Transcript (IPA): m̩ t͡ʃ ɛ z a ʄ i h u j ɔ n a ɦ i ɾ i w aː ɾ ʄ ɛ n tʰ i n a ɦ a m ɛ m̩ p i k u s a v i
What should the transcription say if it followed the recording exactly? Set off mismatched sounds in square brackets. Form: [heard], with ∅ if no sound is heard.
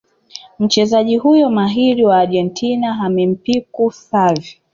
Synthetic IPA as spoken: m̩ t͡ʃ ɛ z a ʄ i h u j ɔ [m] a ɦ i ɾ i w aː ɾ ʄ ɛ n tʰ i n a ɦ a m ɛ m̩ p i k u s a v i